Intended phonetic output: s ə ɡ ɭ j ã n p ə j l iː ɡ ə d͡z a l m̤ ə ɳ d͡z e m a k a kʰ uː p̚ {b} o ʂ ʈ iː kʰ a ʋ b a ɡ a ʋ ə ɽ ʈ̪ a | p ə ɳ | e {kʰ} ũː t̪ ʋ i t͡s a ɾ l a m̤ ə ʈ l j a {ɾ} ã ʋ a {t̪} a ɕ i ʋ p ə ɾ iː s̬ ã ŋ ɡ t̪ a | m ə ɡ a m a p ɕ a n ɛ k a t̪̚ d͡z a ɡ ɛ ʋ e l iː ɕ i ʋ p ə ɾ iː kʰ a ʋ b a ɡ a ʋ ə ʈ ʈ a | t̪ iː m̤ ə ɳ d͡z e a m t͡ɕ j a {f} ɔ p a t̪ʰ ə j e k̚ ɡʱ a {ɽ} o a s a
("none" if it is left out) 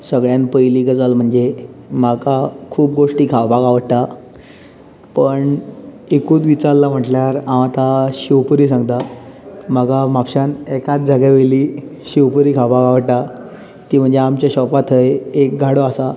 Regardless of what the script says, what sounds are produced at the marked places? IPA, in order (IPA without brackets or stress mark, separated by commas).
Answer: ɡ, k, ɾ, t̪, ɕ, ɽ